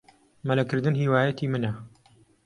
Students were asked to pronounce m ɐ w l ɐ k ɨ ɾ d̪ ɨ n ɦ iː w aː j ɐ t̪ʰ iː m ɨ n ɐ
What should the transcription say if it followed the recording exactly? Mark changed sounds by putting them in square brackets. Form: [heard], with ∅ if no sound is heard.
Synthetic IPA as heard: m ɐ [∅] l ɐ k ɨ ɾ d̪ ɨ n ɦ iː w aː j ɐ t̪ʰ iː m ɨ n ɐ